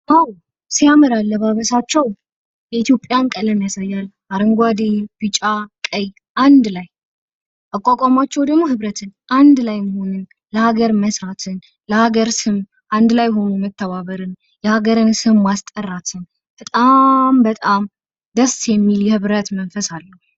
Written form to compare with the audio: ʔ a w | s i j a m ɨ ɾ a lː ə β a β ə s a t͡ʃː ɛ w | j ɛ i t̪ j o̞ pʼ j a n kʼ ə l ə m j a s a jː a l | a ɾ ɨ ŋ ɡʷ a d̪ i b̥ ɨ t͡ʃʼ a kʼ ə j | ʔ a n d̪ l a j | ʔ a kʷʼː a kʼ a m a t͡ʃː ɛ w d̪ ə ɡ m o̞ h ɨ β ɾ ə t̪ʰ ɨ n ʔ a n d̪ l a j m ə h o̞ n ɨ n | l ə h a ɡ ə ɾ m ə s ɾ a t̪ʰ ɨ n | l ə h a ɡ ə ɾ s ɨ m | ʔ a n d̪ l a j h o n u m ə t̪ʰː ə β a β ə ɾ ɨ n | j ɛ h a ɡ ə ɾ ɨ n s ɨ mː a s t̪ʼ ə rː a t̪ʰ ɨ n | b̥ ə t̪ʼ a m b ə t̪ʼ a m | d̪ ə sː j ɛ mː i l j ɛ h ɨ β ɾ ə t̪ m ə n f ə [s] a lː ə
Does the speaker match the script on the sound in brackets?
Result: yes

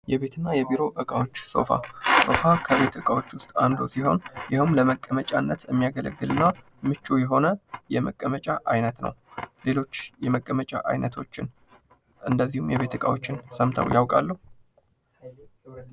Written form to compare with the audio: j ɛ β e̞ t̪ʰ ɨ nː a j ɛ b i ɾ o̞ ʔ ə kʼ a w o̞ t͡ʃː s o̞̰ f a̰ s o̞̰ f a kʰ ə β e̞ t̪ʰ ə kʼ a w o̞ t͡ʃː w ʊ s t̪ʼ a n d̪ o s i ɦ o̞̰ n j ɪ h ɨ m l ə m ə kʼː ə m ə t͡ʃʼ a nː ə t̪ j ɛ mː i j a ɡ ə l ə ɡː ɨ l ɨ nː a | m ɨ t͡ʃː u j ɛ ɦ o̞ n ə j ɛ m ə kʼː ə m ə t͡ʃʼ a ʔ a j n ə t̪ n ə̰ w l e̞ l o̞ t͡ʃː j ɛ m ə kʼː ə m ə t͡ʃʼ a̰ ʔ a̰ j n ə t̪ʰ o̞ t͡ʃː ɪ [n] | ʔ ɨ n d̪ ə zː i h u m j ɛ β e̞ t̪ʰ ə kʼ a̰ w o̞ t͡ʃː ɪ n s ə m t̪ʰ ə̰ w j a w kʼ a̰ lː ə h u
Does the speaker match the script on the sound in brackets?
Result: yes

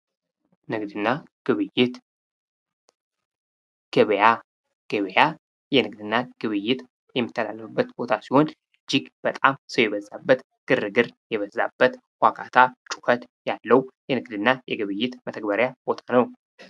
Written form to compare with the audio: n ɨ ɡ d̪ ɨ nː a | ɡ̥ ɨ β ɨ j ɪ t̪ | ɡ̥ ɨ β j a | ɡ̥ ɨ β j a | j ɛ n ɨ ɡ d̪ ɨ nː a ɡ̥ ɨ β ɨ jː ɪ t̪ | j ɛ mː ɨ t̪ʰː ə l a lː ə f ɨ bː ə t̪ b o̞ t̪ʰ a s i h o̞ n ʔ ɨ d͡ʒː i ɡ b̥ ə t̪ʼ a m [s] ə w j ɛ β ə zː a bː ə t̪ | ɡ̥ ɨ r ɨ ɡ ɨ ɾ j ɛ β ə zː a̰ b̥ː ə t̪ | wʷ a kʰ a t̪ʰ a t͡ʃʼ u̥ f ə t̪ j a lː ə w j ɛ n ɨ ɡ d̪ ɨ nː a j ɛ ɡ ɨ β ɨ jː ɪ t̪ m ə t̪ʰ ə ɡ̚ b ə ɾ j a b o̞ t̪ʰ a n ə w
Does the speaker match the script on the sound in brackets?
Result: yes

